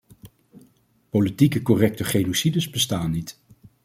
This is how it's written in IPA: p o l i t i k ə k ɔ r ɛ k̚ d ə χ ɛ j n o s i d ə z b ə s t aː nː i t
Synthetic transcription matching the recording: p o l i t i k ə k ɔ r ɛ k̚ t ə χ e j n o s i d ə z b ə s t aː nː i t